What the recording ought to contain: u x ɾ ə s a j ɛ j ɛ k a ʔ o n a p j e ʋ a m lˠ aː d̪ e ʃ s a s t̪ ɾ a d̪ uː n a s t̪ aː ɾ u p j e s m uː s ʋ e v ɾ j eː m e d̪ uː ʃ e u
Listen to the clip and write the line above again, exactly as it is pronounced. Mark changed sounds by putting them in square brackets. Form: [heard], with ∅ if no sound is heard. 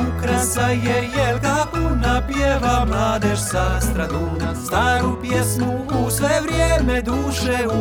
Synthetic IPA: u [k] ɾ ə s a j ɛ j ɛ k a [k] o n a p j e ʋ a m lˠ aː d̪ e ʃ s a s t̪ ɾ a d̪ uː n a s t̪ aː ɾ u p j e s m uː s ʋ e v ɾ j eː m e d̪ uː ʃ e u